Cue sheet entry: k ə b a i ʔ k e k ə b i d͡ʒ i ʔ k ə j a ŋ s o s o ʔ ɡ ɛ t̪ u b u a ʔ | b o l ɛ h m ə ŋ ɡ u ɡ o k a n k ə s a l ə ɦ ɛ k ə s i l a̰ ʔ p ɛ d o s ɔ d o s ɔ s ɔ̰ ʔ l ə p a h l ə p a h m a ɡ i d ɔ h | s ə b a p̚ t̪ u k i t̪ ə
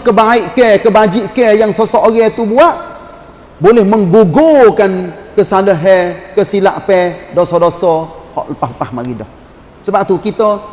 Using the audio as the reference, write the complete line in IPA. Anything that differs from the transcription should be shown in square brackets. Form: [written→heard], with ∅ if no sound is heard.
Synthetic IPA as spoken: k ə b a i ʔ k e k ə b [i→a] d͡ʒ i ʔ k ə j a ŋ s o s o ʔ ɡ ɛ t̪ u b u a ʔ | b o l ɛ h m ə ŋ ɡ u ɡ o k a n k ə s a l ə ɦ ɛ k ə s i l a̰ ʔ p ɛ d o s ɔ d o s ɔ [s→h] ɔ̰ ʔ l ə p a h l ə p a h m a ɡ i d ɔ h | s ə b a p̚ t̪ u k i t̪ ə